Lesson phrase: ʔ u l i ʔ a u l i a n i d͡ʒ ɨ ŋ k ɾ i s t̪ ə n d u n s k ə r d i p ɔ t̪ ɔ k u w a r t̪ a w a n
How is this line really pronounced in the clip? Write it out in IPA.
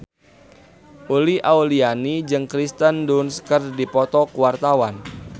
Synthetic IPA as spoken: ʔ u l i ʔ a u l i a n i d͡ʒ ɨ ŋ k ɾ i s t̪ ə n d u n s k ə r d i p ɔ t̪ ɔ k u w a r t̪ a w a n